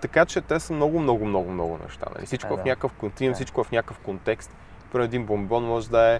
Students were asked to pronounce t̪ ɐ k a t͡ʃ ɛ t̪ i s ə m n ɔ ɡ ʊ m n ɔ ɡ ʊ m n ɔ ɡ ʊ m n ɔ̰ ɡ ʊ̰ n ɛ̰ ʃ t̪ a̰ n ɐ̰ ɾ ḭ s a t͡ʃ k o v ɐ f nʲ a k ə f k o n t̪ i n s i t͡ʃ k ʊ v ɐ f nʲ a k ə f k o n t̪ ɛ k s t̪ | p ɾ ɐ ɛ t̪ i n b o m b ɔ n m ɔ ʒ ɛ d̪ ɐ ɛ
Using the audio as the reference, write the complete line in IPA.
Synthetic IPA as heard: t̪ ɐ k a t͡ʃ ɛ t̪ ɛ s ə m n ɔ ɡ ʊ m n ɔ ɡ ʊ m n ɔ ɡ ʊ m n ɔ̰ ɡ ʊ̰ n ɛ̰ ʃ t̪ a̰ n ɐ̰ l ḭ s i t͡ʃ k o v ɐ f nʲ a k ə f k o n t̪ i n s i t͡ʃ k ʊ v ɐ f nʲ a k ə f k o n t̪ ɛ k s t̪ | p ɾ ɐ ɛ d̪ i n b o m b ɔ n m ɔ ʒ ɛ d̪ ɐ ɛ